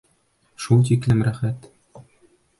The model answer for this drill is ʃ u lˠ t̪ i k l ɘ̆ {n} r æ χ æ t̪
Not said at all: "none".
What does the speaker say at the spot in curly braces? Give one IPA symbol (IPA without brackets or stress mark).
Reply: m